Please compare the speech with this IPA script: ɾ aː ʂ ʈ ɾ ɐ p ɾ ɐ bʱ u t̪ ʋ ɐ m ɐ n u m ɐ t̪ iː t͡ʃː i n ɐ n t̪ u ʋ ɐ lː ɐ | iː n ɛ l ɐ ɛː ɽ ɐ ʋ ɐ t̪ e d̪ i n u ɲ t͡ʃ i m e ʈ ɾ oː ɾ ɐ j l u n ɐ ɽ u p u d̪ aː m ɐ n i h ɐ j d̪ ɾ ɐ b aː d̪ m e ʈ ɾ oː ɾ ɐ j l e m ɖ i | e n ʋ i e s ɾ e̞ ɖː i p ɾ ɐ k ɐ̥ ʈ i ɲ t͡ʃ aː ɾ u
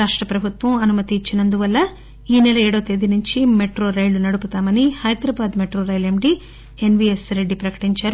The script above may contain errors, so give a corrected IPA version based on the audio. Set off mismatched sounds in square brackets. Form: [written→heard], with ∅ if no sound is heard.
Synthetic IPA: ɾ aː ʂ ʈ ɾ ɐ p ɾ ɐ bʱ u t̪ ʋ ɐ m ɐ n u m ɐ t̪ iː t͡ʃː i n ɐ n [t̪→d̪] u ʋ ɐ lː ɐ | iː n ɛ l ɐ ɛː ɽ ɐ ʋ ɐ t̪ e d̪ i n u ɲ t͡ʃ i m e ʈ ɾ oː ɾ ɐ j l u n ɐ ɽ u p u [d̪→t̪] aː m ɐ n i h ɐ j d̪ ɾ ɐ b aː d̪ m e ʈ ɾ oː ɾ ɐ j l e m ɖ i | e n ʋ i e s ɾ e̞ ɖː i p ɾ ɐ k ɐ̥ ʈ i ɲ t͡ʃ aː ɾ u